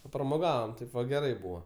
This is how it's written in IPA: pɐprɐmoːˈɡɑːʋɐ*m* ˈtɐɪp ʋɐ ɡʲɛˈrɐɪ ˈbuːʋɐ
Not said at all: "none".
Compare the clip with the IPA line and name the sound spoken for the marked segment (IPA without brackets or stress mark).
m